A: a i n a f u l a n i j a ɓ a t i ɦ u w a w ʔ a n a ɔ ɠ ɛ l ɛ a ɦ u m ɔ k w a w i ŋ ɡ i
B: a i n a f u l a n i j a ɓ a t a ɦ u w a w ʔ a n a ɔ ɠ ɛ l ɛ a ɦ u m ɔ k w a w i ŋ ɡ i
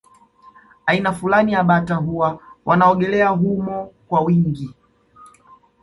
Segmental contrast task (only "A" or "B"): B